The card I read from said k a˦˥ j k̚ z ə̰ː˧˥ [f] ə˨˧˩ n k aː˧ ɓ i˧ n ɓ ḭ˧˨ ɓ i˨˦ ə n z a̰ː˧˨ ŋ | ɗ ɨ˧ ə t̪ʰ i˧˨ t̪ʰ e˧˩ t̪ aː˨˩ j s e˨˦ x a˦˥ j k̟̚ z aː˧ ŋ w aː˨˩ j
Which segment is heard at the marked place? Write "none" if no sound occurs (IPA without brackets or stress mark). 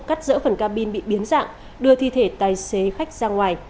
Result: f